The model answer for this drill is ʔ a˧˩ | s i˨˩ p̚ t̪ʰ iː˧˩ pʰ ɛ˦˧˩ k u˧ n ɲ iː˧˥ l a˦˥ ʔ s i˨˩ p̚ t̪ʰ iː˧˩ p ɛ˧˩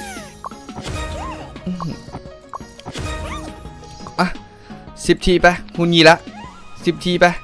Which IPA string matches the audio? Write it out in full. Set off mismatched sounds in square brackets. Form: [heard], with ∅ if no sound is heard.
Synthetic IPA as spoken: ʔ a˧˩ | s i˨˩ p̚ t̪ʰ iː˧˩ [p] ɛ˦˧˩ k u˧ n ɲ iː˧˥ l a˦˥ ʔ s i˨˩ p̚ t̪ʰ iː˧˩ p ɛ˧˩